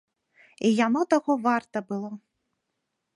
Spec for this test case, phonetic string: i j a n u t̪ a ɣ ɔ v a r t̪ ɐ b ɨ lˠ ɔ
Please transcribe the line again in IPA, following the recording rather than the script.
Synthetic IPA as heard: i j a n ɔ t̪ a ɣ ɔ v a r t̪ ɐ b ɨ lˠ ɔ